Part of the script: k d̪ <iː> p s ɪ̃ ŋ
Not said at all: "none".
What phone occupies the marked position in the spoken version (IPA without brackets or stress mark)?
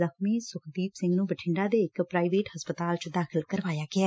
iː